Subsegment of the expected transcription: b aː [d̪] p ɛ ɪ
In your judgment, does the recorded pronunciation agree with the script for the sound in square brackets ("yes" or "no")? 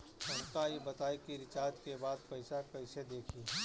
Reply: yes